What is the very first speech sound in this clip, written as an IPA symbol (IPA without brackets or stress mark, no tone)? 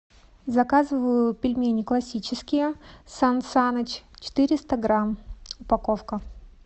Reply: z